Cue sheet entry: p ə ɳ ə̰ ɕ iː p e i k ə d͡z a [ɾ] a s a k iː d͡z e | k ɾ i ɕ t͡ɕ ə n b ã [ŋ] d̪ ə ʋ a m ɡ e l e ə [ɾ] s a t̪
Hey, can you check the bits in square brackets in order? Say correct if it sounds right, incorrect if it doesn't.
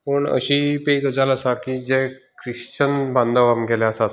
incorrect: l, incorrect: n, incorrect: none

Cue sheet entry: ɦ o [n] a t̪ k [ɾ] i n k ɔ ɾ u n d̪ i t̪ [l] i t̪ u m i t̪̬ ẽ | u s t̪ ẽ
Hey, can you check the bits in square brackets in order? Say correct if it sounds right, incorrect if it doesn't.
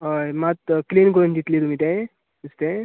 incorrect: m, incorrect: l, correct

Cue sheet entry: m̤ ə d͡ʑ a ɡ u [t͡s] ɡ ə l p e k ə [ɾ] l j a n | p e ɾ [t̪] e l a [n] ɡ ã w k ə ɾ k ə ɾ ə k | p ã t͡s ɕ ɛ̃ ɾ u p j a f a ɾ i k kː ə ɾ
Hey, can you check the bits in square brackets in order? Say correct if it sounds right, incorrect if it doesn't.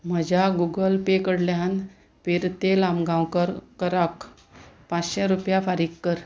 incorrect: none, incorrect: ɽ, correct, incorrect: m

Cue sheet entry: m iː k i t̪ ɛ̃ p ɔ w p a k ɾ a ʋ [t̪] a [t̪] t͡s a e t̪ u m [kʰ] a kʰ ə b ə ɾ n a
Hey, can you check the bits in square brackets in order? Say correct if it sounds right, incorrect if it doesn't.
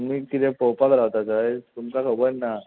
correct, incorrect: none, incorrect: k

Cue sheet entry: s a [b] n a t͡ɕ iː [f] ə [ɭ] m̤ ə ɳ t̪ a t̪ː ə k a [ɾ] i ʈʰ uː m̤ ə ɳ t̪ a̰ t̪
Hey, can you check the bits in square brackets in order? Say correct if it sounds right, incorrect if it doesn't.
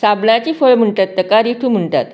correct, correct, correct, correct

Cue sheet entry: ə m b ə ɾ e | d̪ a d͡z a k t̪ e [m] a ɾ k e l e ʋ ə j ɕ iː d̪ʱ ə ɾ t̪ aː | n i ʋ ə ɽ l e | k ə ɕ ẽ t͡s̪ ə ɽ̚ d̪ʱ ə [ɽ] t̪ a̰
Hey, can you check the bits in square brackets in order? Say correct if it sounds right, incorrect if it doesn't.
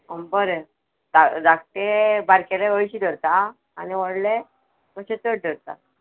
incorrect: b, incorrect: ɾ

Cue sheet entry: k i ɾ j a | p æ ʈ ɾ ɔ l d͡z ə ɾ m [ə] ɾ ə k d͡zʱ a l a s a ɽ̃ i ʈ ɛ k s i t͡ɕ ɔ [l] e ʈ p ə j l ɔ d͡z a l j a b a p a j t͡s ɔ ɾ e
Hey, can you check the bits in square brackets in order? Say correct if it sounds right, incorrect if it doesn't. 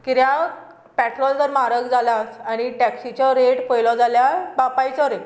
incorrect: a, incorrect: ɾ

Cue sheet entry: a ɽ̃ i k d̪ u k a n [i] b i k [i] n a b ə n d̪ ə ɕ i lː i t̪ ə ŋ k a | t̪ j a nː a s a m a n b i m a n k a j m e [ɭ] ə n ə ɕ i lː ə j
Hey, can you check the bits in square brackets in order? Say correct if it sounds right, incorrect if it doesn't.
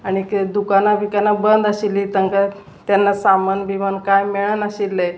incorrect: a, incorrect: a, correct

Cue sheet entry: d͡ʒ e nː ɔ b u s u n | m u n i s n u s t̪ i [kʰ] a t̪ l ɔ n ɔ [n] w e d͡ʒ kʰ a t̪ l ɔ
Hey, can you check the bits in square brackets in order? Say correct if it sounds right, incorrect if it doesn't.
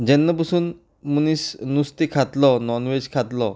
correct, correct

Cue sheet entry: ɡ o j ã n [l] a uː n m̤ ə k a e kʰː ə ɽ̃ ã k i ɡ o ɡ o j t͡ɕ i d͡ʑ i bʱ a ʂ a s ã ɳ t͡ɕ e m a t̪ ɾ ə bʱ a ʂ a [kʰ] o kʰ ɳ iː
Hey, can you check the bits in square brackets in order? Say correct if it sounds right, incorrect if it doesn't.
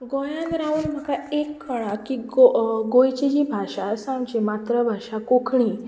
incorrect: ɾ, incorrect: k

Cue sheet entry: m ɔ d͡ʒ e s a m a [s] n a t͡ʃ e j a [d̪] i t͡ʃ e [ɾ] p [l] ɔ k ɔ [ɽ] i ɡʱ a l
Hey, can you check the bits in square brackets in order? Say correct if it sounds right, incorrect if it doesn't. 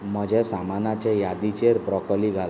incorrect: none, correct, correct, incorrect: ɾ, incorrect: l

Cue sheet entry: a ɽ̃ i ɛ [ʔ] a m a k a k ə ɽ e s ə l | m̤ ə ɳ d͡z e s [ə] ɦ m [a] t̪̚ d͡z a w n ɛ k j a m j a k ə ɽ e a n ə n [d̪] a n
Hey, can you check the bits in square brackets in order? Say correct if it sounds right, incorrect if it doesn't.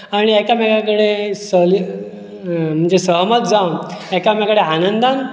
incorrect: k, correct, incorrect: ə, correct

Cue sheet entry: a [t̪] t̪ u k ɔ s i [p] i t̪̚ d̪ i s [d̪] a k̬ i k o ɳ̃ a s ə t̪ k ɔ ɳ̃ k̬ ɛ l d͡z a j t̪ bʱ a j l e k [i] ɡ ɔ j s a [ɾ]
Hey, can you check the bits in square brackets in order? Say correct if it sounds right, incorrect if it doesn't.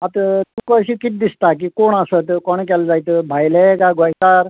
correct, incorrect: k, incorrect: t̪, incorrect: a, correct

